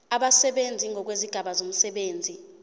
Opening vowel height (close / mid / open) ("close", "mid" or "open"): open